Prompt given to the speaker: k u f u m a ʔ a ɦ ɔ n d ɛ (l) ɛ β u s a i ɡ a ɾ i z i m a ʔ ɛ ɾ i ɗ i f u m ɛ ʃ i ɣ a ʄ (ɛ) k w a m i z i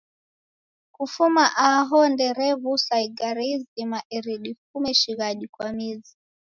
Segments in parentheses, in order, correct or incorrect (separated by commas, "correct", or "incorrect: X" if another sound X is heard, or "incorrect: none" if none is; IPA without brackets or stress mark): incorrect: ɾ, incorrect: i